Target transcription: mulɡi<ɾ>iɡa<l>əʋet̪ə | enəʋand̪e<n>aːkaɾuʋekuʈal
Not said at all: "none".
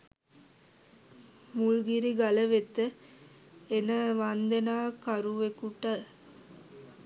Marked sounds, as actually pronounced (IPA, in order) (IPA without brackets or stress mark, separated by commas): ɾ, l, n